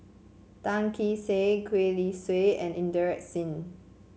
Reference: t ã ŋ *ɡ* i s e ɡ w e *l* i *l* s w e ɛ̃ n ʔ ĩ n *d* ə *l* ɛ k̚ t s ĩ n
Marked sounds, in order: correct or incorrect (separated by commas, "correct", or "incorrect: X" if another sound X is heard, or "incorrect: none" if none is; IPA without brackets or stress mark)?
incorrect: k, correct, incorrect: none, correct, incorrect: ɹ